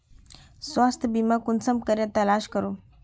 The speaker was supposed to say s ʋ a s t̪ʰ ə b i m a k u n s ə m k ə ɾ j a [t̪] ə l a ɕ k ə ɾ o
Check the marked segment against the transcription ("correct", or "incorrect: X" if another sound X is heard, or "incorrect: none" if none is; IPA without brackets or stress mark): correct